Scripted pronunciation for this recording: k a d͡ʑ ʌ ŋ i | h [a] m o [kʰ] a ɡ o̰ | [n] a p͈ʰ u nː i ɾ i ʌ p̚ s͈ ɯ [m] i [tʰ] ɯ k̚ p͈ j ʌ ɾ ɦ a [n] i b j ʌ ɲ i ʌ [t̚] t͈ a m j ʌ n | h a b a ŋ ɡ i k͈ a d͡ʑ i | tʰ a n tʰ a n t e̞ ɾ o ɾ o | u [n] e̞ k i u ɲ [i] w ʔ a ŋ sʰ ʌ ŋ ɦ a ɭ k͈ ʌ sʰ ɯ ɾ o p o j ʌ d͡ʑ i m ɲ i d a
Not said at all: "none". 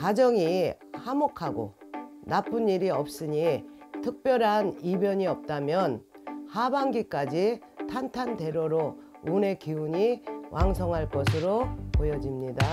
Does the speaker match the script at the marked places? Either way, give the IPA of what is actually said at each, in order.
a, kʰ, n, ɲ, tʰ, n, p̚, n, i

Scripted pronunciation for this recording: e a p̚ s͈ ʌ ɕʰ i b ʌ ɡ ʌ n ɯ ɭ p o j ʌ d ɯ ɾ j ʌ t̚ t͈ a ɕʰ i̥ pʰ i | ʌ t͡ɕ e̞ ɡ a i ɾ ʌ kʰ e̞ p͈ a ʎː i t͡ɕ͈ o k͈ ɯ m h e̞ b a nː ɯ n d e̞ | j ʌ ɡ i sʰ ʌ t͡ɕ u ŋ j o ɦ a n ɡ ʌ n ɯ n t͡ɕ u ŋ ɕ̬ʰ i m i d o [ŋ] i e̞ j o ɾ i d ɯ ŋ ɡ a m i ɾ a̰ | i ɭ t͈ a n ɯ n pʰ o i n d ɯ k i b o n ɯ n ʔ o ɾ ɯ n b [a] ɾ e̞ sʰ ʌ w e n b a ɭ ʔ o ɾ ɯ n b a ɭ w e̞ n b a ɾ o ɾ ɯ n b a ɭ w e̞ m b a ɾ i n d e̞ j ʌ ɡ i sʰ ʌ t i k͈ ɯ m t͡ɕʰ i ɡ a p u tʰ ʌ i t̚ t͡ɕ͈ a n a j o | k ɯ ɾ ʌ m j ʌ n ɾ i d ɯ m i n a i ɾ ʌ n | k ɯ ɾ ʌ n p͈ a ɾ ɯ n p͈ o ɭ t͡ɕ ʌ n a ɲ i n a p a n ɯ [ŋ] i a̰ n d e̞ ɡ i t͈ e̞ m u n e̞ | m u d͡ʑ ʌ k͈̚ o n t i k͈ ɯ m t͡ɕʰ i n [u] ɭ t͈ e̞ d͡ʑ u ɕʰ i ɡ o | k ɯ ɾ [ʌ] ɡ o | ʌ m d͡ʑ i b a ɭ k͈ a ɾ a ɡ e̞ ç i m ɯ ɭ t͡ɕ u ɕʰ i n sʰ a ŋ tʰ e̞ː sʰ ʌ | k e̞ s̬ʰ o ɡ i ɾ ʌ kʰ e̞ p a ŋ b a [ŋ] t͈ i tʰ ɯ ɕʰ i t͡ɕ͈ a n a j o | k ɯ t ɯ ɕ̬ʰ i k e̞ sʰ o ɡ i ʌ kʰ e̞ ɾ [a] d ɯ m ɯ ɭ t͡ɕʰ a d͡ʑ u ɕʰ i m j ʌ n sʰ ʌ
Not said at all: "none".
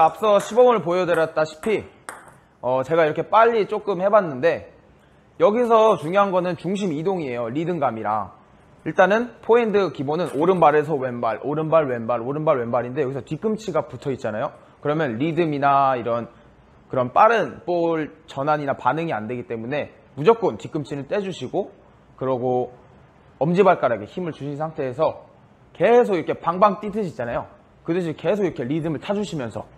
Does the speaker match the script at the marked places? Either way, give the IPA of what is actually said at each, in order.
ŋ, a, ŋ, ɯ, ʌ, ŋ, i

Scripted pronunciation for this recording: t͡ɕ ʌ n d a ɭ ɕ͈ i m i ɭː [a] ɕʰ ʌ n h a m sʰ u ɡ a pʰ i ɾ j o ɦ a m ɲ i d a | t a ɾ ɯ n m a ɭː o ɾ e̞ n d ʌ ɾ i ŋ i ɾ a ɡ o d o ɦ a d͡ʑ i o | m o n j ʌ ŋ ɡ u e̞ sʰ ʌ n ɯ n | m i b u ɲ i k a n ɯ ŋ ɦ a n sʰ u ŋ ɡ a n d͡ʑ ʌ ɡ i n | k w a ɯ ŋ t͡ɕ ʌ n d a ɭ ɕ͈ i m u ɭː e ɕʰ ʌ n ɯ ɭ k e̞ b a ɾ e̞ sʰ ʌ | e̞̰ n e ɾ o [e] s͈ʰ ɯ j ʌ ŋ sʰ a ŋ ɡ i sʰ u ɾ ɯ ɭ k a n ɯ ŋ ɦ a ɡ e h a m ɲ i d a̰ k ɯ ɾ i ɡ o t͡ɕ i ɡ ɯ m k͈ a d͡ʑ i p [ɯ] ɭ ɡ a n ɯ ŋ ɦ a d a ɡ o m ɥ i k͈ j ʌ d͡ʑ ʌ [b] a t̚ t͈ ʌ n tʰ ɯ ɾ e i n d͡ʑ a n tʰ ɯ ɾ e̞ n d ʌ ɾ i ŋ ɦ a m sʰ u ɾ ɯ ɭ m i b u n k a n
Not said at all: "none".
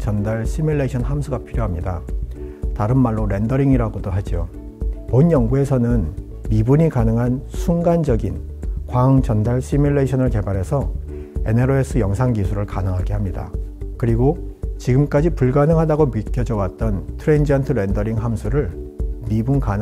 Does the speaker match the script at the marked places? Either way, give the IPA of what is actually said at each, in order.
e, e, u, w

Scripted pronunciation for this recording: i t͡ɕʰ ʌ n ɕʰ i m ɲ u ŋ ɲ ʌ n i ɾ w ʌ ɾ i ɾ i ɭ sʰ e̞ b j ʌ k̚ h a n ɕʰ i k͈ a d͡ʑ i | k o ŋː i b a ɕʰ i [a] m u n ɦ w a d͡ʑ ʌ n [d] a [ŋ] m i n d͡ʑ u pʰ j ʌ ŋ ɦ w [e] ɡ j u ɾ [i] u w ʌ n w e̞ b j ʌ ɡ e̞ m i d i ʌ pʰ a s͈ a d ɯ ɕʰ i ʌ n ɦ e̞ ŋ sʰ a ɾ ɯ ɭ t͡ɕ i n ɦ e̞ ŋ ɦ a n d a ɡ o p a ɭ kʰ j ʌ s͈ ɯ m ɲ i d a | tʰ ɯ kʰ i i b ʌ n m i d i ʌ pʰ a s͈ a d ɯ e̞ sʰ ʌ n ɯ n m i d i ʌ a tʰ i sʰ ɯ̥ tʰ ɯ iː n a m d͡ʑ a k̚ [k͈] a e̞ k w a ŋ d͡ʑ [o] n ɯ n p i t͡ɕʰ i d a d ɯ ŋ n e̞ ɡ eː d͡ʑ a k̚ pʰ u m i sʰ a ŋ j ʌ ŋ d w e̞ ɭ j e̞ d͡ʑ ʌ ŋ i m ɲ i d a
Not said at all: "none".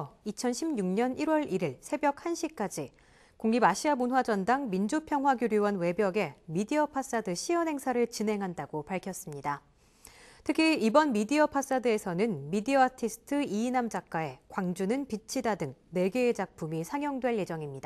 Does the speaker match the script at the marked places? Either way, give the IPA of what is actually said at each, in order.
a, d, ŋ, a, j, k͈, u

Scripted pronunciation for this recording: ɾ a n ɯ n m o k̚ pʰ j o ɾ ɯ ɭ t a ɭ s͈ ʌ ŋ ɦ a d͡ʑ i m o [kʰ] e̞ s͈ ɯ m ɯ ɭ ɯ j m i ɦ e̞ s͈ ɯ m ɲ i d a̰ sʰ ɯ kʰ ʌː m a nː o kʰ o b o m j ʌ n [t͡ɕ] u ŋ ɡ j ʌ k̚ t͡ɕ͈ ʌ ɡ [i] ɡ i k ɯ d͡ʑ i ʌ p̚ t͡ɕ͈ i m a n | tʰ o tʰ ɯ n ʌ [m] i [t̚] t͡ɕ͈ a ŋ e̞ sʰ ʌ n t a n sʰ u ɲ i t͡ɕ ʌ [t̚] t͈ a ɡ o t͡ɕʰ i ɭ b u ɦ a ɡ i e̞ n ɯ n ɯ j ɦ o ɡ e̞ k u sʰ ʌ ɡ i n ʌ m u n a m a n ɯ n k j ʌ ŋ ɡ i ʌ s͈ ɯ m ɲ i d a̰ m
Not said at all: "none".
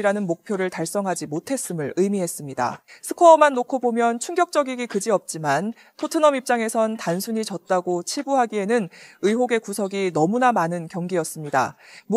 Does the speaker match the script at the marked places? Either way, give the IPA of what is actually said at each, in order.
tʰ, t͡ɕʰ, i, m, p̚, t̚

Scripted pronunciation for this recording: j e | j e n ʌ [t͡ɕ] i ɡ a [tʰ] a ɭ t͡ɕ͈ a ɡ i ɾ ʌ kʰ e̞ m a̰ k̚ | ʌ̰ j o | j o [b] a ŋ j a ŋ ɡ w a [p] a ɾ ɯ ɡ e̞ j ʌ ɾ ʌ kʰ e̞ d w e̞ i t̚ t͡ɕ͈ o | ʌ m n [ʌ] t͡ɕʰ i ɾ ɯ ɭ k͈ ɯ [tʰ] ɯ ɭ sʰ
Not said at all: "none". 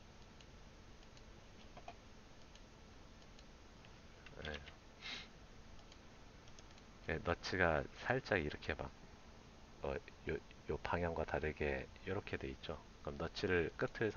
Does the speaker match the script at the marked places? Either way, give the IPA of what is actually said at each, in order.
t͡ɕʰ, sʰ, p, t, ʌ, tʰ

